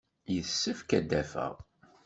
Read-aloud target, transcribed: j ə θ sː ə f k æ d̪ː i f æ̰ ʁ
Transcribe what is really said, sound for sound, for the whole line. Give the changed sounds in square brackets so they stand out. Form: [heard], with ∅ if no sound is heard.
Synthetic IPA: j ə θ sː ə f k æ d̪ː [æ] f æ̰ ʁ